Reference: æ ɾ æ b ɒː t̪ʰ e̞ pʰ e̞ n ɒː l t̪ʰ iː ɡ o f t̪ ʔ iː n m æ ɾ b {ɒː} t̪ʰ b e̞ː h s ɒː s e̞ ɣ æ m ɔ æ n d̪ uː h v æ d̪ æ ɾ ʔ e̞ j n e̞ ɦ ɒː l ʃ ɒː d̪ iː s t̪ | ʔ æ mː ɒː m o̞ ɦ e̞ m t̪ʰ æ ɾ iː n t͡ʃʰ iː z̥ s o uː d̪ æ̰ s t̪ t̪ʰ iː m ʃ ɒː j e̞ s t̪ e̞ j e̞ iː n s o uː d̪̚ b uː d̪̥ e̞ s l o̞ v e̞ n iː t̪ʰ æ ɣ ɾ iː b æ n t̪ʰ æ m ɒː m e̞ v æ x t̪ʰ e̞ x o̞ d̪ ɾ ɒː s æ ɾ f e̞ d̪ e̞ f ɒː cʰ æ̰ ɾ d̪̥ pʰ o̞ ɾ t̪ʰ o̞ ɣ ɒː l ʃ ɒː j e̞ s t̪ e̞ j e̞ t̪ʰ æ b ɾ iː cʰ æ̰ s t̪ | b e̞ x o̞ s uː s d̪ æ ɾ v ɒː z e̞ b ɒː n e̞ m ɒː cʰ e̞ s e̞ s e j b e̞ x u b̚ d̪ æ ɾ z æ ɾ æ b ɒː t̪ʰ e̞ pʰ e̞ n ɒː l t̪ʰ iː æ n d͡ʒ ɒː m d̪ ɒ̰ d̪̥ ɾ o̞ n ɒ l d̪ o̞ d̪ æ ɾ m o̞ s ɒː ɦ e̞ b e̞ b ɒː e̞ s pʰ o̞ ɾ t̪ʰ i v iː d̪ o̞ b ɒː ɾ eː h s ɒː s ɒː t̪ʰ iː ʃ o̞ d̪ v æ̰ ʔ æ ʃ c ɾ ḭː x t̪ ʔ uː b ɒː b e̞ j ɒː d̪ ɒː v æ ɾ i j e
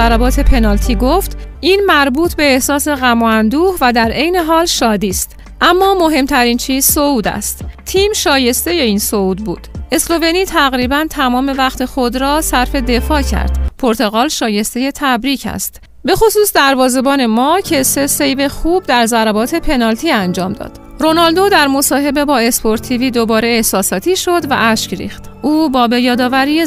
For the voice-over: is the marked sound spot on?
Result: no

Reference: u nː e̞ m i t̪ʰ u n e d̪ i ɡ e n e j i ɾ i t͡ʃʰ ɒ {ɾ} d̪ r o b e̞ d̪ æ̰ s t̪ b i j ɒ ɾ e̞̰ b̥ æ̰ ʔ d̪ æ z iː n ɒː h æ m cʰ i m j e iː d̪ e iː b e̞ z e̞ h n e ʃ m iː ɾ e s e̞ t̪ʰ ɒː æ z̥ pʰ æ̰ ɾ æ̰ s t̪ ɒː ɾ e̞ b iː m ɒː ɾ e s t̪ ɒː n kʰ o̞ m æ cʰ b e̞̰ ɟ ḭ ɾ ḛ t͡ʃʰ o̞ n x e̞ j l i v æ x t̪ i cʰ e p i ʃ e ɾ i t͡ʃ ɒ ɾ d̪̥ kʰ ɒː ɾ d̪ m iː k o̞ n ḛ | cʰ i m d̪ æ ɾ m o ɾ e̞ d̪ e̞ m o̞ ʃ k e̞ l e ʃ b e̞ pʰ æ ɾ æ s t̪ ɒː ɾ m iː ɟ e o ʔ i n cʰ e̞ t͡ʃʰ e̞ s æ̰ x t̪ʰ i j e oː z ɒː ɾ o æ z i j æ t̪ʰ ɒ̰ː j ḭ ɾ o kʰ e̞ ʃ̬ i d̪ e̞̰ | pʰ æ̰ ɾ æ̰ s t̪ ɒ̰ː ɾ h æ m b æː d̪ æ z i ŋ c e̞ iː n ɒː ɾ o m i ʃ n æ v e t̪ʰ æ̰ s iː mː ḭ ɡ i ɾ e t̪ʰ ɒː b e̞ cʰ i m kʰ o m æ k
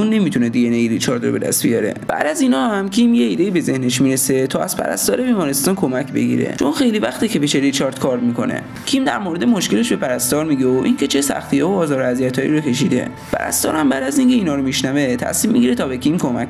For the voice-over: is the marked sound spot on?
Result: yes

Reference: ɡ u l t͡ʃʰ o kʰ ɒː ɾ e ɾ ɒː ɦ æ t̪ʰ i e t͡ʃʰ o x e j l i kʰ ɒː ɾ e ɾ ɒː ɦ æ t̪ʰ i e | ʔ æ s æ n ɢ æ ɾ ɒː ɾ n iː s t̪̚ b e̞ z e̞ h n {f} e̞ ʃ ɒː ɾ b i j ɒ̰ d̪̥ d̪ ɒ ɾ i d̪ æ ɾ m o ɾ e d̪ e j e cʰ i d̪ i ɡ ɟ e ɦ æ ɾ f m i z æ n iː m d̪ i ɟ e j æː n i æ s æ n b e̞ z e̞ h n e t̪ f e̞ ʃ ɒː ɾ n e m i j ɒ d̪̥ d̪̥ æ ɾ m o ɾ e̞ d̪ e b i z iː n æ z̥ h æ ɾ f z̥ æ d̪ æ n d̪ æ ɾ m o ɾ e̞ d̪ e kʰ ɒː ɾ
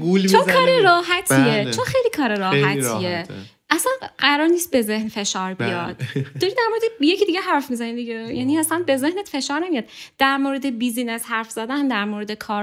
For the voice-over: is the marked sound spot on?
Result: yes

